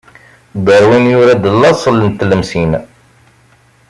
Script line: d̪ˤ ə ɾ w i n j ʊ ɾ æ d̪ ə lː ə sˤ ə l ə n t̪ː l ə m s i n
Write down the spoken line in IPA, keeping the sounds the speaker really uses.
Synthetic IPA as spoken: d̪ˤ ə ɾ w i n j ʊ ɾ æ d̪ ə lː ɑ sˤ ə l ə n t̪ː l ə m s i n